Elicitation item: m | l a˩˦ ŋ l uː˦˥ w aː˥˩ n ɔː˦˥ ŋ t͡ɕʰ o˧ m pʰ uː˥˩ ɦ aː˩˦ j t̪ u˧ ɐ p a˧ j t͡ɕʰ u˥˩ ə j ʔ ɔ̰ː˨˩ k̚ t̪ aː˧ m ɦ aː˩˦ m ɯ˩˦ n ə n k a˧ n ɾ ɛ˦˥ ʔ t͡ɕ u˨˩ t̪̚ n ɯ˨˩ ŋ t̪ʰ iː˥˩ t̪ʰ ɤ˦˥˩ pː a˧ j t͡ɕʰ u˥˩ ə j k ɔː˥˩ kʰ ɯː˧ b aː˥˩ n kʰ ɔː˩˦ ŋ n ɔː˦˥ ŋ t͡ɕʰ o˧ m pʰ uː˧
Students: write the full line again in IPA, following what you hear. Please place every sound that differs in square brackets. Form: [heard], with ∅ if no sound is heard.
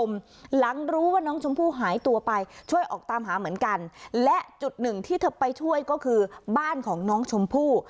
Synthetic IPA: m | l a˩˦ ŋ [ɾ] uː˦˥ w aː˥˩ n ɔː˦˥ ŋ t͡ɕʰ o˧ m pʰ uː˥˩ ɦ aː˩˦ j t̪ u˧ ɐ p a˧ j t͡ɕʰ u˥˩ ə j ʔ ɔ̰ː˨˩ k̚ t̪ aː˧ m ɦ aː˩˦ m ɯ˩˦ [∅] ə n k a˧ n [l] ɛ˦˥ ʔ t͡ɕ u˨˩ t̪̚ n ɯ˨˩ ŋ t̪ʰ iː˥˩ t̪ʰ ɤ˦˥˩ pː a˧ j t͡ɕʰ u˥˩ ə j k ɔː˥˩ kʰ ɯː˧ b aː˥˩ n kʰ ɔː˩˦ ŋ n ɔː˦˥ ŋ t͡ɕʰ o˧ m pʰ [uː˥˩]